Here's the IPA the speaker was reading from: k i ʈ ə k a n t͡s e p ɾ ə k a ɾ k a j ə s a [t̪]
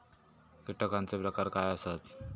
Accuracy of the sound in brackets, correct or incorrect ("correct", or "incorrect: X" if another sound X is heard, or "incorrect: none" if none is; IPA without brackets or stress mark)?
correct